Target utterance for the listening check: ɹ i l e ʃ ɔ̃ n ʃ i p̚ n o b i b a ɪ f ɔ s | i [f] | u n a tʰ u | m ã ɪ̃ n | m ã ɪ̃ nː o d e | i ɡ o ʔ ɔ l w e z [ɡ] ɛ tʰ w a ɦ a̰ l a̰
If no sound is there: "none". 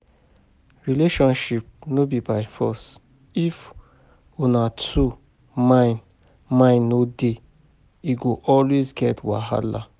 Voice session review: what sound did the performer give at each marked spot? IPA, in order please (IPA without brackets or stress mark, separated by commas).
f, ɡ